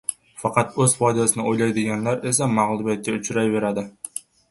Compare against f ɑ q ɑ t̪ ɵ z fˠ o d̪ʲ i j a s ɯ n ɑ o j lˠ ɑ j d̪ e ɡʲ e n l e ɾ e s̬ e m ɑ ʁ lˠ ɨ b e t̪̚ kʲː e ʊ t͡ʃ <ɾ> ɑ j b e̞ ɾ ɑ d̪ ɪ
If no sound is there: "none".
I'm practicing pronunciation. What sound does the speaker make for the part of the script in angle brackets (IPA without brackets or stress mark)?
ɾ